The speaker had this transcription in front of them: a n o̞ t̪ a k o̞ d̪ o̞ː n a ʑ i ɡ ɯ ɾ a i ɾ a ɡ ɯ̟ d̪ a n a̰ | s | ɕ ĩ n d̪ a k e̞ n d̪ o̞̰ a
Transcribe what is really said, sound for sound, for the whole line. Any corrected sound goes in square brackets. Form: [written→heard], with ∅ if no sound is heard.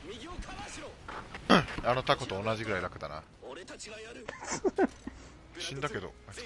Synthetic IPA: a n o̞ t̪ a k o̞ [d̪→t̪] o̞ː n a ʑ i ɡ ɯ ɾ a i ɾ a [ɡ→k] ɯ̟ d̪ a n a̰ | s | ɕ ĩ n d̪ a k e̞ [n→∅] d̪ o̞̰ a